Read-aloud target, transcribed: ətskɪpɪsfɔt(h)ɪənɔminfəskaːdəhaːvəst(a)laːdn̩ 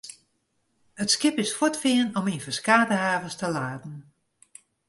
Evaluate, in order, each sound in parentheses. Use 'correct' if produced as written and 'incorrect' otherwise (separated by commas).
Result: incorrect, incorrect